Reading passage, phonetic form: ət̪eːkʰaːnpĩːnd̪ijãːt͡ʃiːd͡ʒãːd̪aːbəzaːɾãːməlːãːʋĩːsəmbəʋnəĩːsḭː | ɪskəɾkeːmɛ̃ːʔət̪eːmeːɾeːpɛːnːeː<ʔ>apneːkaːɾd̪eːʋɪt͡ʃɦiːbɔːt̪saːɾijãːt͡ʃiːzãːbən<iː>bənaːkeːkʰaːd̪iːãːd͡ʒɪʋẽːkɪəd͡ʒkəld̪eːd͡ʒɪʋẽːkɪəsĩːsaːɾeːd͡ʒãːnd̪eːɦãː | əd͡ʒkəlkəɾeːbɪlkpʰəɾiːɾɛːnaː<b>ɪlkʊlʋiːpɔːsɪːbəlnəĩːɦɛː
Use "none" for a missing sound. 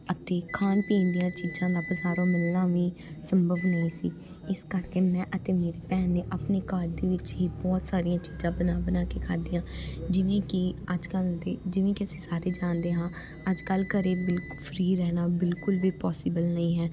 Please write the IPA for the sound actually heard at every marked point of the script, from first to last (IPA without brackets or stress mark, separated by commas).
ʔ, aː, b